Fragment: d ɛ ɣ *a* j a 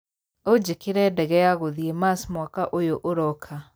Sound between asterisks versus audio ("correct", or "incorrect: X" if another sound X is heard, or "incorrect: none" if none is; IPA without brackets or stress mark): incorrect: ɛ